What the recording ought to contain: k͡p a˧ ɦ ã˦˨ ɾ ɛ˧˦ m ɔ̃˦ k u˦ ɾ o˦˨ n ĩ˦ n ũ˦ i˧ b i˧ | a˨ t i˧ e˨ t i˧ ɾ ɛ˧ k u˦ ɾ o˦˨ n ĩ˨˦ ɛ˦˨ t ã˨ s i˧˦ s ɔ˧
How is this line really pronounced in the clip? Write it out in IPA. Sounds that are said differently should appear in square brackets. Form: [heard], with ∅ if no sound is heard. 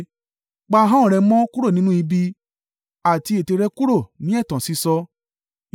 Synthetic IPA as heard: k͡p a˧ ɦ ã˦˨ ɾ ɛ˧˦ m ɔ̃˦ k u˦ ɾ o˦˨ n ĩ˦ n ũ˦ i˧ b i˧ | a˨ t i˧ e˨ t [e˧] ɾ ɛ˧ k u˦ ɾ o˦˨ n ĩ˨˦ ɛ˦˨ t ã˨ s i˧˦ s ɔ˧